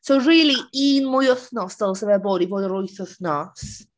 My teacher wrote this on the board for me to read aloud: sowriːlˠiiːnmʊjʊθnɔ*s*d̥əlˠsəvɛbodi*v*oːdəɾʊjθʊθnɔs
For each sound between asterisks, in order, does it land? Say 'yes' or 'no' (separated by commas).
yes, yes